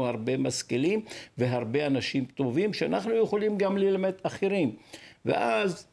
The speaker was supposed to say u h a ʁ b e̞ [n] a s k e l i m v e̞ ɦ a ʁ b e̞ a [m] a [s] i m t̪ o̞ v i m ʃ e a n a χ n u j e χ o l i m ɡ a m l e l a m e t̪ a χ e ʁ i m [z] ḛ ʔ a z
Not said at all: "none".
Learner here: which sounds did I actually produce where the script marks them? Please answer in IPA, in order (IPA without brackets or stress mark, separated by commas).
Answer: m, n, ʃ, v